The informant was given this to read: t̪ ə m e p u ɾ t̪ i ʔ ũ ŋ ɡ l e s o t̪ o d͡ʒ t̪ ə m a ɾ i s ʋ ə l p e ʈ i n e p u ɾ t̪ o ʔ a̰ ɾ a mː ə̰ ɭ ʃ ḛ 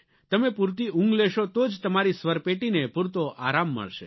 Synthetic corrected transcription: t̪ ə m e p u ɾ t̪ i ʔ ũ ŋ ɡ l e ʃ o t̪ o d͡ʒ t̪ ə m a ɾ i s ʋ ə ɾ p e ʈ i n e p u ɾ t̪ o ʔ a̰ ɾ a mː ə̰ ɭ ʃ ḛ